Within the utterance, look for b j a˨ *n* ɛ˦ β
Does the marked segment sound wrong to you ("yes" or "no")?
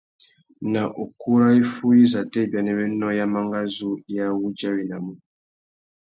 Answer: no